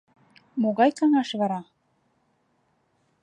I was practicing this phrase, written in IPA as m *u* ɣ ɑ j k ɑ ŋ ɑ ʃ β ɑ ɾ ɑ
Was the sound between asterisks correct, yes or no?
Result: no